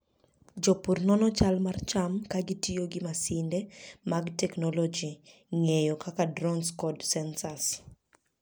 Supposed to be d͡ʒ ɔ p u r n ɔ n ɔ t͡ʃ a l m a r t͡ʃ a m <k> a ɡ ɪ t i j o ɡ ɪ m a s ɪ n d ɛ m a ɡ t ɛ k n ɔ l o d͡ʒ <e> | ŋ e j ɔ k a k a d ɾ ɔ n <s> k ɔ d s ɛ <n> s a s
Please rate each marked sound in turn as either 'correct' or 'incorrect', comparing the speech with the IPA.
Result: correct, incorrect: i, correct, correct

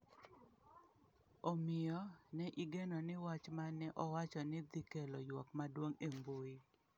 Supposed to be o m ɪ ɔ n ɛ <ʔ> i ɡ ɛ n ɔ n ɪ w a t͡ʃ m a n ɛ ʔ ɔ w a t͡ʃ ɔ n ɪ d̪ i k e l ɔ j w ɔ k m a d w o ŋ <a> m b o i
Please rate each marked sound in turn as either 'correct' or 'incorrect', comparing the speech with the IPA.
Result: correct, incorrect: e

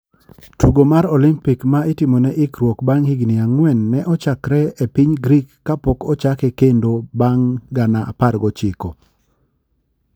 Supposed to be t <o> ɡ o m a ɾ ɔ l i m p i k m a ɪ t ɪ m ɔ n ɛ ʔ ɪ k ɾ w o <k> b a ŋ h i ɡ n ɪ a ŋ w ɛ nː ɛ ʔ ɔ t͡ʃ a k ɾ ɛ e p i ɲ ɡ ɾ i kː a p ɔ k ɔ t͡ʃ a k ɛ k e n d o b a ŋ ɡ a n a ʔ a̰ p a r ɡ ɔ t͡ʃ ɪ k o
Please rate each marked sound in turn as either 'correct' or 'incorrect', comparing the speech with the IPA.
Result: incorrect: u, correct

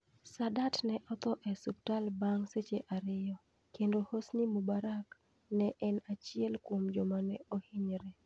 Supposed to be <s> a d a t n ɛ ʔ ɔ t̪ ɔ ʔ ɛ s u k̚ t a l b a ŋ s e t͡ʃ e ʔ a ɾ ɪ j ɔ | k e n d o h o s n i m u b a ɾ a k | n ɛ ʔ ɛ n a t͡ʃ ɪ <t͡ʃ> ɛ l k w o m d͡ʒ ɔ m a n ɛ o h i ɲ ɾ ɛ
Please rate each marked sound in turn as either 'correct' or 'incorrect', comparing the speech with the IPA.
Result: correct, incorrect: none

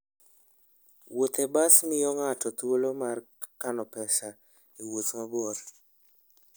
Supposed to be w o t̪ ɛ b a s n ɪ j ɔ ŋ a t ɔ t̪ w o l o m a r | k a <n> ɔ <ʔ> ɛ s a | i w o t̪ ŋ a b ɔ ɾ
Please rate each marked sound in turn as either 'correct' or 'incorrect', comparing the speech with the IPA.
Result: correct, incorrect: p

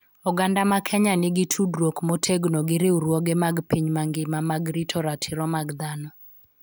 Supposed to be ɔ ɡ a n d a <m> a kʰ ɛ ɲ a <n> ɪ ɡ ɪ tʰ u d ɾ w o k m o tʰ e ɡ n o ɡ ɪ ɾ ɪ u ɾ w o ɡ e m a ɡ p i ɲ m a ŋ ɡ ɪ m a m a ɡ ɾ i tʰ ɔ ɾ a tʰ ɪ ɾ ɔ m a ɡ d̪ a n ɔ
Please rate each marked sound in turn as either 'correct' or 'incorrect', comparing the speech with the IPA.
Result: correct, correct

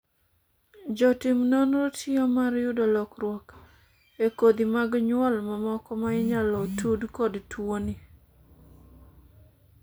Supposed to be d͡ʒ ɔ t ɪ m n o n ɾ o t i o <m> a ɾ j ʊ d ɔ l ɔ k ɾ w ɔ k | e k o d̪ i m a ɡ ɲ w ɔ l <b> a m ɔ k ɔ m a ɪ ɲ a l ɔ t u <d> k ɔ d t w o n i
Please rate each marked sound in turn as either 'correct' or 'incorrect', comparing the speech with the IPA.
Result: correct, incorrect: m, correct

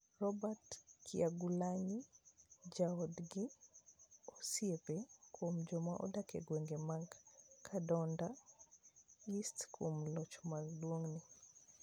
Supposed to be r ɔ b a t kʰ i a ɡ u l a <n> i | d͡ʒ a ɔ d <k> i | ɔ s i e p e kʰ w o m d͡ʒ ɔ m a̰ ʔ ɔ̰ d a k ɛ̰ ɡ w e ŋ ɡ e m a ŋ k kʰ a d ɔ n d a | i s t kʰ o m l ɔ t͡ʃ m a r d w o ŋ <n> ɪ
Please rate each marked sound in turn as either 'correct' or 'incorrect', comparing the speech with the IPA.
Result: incorrect: ɲ, incorrect: ɡ, correct

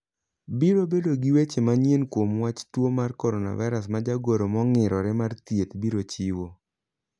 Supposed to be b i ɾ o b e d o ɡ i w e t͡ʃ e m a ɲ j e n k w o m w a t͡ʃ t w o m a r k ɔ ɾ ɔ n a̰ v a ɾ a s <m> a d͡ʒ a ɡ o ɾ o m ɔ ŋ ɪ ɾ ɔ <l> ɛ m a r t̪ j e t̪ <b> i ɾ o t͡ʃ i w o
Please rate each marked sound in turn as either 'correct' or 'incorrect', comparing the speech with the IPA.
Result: correct, incorrect: ɾ, correct

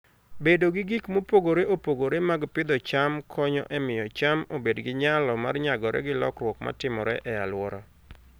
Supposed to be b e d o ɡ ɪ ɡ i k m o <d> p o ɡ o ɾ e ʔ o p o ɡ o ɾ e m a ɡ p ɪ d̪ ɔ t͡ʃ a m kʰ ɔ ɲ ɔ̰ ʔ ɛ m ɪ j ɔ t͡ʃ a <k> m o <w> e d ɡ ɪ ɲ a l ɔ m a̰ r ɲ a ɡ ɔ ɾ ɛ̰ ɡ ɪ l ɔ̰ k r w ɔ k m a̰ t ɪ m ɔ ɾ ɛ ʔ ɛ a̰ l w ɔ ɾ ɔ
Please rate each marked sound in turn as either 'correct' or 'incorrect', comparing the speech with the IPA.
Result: incorrect: none, incorrect: none, incorrect: b

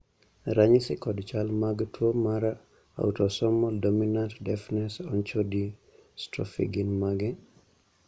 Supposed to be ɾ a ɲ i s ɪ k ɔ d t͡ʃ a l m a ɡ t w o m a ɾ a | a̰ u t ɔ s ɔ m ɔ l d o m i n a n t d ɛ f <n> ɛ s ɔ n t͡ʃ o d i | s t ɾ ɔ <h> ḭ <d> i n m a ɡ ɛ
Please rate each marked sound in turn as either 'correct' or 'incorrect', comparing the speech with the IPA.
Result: correct, incorrect: f, incorrect: ɡ

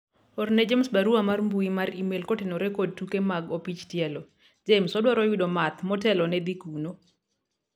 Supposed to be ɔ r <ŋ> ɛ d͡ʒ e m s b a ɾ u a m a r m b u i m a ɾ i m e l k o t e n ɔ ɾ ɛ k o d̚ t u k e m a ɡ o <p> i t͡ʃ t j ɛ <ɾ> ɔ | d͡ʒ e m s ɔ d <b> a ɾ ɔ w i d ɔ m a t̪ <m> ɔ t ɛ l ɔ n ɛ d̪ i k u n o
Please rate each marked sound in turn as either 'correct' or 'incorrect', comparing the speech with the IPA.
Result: incorrect: n, correct, incorrect: l, incorrect: w, correct

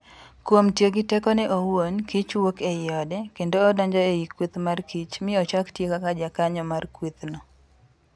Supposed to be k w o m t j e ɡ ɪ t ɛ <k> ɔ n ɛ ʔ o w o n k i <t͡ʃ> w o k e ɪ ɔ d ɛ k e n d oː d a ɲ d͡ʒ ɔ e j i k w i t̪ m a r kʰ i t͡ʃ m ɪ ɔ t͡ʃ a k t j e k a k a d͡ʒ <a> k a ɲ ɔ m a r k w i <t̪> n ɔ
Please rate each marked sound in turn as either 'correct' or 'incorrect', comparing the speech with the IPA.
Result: correct, correct, correct, correct

